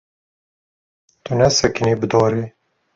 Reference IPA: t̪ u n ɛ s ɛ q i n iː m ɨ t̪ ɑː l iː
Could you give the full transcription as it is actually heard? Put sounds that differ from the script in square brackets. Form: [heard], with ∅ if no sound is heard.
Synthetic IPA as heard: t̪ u n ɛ s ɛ [k] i n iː [b] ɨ [d̪] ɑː [ɾ] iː